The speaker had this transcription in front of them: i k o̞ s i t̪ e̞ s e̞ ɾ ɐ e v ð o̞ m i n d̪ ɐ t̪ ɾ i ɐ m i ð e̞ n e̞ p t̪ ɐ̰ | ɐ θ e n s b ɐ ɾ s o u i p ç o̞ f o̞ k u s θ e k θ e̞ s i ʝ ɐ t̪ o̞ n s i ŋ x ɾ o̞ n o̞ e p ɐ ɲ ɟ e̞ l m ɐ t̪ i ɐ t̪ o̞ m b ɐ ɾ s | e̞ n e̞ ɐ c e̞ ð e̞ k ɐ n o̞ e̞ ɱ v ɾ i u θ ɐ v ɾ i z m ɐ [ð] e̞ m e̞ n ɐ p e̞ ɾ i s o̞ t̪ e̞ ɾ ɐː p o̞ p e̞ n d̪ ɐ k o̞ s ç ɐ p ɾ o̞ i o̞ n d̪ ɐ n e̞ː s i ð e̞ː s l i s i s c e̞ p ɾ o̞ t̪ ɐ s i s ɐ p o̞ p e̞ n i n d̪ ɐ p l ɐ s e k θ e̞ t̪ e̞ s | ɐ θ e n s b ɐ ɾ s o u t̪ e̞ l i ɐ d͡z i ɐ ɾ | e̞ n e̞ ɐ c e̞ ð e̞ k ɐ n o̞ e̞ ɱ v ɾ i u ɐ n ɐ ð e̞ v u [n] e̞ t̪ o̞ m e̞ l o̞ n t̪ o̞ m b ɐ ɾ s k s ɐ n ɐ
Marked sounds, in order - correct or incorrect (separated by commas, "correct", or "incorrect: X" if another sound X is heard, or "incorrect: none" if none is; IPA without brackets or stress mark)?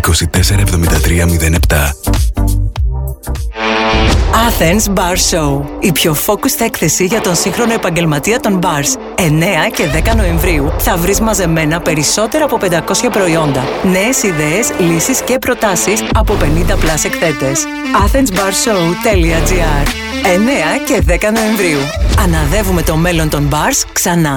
incorrect: z, incorrect: m